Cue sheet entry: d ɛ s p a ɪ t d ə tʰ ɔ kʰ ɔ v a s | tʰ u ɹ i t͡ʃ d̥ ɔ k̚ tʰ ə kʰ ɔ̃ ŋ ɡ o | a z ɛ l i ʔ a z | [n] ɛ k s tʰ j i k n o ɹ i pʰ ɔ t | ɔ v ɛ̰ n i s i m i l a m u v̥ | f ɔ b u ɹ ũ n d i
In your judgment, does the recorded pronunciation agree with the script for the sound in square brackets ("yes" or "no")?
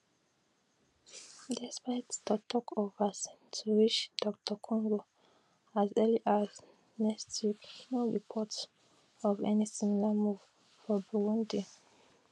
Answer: yes